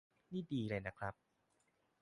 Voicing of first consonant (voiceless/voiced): voiced